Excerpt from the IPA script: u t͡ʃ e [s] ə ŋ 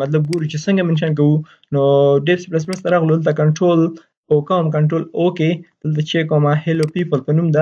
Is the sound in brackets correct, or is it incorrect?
correct